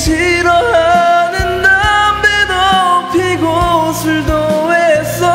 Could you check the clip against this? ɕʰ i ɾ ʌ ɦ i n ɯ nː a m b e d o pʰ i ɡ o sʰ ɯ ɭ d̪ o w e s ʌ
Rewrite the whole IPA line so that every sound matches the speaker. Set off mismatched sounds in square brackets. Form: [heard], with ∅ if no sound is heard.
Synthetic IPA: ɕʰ i ɾ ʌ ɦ [a] n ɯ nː a m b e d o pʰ i ɡ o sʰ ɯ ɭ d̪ o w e s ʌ